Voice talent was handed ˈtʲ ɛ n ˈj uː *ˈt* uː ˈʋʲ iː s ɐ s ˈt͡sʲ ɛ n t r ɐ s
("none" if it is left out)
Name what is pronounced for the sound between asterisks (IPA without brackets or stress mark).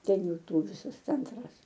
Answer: t